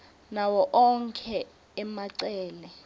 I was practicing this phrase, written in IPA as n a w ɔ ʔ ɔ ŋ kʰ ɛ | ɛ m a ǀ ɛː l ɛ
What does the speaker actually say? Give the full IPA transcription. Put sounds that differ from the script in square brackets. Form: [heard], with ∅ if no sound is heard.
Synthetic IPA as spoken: n a w ɔ ʔ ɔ ŋ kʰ ɛ | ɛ m a ǀ ɛː l ɛ